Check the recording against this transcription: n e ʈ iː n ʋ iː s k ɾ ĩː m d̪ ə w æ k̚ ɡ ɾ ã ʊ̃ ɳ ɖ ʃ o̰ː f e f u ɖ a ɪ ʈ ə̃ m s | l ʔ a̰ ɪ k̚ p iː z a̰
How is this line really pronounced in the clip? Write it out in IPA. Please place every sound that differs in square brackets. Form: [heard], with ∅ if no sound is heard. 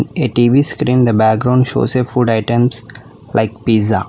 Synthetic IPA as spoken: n e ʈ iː [∅] ʋ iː s k ɾ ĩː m d̪ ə [b] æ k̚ ɡ ɾ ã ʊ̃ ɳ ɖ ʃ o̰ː [s] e f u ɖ a ɪ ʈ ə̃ m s | l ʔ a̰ ɪ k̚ p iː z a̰